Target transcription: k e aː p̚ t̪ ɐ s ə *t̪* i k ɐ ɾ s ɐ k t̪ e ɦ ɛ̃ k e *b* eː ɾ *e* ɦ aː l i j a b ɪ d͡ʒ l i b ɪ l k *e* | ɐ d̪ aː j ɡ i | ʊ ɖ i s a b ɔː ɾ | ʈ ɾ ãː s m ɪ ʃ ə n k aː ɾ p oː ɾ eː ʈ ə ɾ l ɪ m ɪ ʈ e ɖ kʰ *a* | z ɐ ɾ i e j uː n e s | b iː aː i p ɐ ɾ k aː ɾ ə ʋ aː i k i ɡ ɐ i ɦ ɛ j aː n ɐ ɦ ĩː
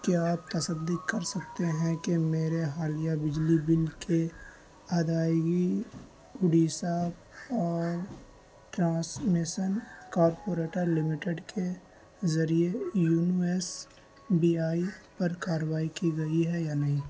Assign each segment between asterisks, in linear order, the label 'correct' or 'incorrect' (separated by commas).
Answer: incorrect, incorrect, correct, correct, incorrect